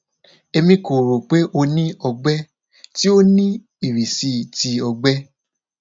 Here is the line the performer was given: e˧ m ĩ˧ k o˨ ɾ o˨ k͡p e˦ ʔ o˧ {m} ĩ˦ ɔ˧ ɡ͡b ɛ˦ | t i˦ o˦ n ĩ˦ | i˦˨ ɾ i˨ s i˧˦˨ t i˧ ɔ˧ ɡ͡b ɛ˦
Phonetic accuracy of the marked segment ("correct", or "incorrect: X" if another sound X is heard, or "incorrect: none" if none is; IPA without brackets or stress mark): incorrect: n